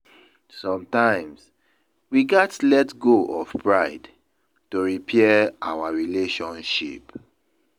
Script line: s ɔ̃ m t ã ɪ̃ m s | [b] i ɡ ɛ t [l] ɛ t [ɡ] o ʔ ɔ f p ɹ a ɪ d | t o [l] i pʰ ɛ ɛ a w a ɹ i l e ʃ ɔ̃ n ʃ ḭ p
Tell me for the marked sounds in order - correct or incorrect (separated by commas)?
incorrect, correct, correct, incorrect